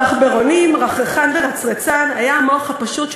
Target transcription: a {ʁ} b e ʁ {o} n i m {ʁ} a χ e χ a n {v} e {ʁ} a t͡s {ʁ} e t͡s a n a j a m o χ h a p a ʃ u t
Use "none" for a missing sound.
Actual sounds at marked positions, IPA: χ, o, ʁ, v, ʁ, ʁ

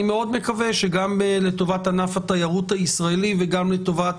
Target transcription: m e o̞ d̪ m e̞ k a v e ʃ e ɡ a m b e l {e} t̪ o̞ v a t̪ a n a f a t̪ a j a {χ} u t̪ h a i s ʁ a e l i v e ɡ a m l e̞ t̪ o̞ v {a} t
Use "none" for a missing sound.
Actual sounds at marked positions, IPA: e, ʁ, a

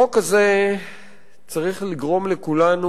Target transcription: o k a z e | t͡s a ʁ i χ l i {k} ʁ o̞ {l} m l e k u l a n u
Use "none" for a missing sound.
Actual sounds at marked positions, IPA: ɡ, none

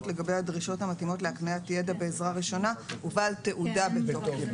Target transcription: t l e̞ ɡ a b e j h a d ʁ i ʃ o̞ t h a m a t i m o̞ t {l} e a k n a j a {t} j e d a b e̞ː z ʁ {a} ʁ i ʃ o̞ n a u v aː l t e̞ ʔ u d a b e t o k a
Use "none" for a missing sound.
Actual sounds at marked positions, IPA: l, t, a

